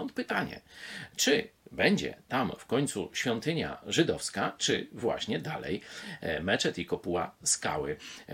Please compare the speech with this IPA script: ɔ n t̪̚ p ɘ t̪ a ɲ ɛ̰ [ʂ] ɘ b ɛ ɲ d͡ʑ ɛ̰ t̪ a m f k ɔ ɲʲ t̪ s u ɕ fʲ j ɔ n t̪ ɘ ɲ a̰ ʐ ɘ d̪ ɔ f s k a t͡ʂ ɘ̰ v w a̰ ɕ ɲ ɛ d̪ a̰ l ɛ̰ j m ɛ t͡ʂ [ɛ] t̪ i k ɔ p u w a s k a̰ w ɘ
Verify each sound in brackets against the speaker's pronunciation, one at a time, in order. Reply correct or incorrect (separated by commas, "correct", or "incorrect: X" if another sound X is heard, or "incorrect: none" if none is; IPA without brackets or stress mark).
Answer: incorrect: t͡ʂ, correct